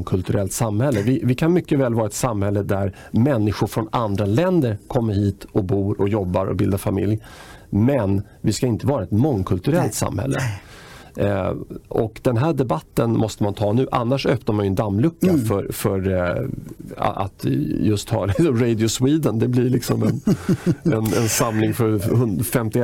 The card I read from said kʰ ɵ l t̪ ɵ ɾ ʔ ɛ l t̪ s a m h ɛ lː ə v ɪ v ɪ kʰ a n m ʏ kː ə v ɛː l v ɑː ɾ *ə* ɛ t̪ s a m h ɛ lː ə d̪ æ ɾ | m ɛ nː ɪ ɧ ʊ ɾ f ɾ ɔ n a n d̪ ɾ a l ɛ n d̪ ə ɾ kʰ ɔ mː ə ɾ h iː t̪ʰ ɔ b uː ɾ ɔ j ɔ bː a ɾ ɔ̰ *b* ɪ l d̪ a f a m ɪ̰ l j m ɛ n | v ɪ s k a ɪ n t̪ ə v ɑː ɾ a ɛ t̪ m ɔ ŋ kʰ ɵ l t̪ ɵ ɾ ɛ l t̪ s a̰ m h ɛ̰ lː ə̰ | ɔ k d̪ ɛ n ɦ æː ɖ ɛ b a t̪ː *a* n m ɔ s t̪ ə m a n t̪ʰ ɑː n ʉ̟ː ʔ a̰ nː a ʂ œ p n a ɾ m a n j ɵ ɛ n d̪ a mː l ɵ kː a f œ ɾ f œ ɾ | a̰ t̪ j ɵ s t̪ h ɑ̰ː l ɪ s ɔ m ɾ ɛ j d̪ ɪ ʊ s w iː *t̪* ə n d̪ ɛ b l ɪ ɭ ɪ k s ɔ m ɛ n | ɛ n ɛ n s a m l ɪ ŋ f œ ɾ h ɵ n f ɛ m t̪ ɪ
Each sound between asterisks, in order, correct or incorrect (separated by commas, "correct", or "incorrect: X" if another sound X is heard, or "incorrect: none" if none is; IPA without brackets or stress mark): incorrect: a, correct, incorrect: ə, incorrect: d̪